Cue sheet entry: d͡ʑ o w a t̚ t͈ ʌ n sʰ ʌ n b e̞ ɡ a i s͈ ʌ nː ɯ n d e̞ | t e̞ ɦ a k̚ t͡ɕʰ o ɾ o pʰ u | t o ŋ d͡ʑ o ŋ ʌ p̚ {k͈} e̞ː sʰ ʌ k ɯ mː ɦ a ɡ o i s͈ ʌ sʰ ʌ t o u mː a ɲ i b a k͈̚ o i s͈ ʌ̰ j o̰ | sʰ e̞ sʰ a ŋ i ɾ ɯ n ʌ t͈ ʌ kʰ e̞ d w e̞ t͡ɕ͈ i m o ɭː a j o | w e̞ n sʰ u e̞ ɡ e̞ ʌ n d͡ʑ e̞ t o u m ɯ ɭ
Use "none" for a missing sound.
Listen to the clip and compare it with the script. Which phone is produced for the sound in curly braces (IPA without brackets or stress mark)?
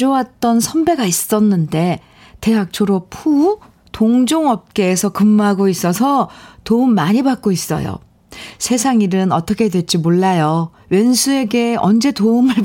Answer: k͈